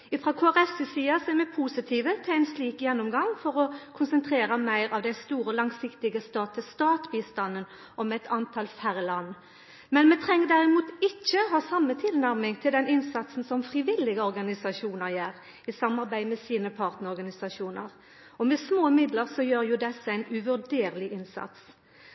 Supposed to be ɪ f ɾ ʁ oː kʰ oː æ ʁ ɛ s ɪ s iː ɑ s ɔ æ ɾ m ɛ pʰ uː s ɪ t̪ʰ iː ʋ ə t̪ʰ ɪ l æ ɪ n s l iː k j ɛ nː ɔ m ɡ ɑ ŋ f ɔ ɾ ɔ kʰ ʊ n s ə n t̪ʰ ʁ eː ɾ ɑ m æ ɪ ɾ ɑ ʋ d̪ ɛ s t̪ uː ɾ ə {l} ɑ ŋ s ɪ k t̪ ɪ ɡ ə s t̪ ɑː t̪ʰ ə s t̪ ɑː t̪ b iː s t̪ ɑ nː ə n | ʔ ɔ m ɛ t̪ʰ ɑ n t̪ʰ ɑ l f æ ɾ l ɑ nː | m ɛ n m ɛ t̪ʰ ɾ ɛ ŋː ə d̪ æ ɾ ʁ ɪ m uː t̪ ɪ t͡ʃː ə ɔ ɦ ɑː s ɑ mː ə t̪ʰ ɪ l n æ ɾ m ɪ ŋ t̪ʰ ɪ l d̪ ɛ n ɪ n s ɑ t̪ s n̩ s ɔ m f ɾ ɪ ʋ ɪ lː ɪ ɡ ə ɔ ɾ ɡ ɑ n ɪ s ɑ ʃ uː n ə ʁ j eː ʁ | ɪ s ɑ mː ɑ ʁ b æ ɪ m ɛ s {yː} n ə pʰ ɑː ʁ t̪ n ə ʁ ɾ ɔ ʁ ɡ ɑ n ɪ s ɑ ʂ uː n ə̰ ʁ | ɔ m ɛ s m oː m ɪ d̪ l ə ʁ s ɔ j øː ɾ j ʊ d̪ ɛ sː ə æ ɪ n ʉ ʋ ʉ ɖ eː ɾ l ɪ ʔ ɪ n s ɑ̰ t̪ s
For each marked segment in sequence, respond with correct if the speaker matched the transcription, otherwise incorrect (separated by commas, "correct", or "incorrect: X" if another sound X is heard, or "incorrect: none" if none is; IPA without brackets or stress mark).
correct, incorrect: iː